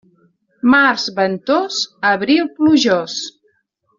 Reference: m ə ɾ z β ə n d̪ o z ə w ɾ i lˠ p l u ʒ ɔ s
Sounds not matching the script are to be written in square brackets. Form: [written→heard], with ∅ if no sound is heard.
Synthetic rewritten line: m [ə→a] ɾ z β ə n [d̪→t̪] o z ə [w→β] ɾ i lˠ p l u ʒ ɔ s